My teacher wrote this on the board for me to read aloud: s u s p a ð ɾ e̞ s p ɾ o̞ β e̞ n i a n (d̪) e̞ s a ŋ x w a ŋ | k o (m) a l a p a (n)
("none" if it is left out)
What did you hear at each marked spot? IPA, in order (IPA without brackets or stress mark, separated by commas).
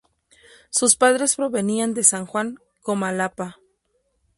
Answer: d̪, m, none